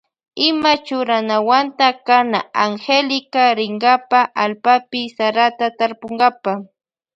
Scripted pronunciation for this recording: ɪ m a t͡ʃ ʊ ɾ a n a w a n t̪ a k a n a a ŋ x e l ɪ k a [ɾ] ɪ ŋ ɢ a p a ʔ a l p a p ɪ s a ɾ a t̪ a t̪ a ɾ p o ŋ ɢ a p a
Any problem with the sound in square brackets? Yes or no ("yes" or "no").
no